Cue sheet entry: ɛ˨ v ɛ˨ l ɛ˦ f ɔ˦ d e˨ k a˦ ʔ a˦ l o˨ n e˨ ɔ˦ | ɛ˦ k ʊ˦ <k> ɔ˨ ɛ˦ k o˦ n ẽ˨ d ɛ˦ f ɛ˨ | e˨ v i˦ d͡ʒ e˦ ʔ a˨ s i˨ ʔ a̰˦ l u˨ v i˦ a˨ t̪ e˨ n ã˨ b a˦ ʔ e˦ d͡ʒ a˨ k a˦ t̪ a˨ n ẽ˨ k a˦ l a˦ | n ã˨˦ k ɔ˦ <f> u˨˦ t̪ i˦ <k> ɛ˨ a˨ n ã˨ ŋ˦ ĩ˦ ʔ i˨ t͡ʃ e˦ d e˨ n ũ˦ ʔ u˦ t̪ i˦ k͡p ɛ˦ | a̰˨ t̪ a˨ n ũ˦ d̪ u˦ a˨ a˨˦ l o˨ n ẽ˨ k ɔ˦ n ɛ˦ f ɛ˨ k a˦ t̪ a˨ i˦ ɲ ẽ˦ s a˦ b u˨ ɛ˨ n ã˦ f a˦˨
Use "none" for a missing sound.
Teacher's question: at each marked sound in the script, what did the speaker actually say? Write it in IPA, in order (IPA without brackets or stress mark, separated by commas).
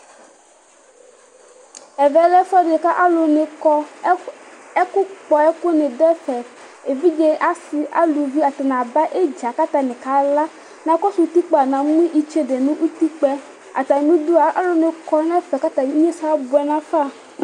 k͡p, s, k͡p